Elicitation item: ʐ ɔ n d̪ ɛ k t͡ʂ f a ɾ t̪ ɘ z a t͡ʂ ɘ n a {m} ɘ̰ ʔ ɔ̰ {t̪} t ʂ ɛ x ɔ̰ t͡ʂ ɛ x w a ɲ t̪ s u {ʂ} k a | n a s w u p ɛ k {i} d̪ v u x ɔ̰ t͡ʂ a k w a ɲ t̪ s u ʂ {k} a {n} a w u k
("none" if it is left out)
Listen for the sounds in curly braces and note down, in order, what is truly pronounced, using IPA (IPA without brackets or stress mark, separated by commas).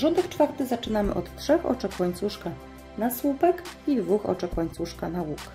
m, t̪, ʂ, i, k, n